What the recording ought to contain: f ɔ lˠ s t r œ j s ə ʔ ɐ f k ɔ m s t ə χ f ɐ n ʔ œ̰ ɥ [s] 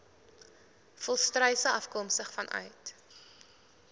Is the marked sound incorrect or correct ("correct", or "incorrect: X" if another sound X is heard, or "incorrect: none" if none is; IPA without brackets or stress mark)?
incorrect: t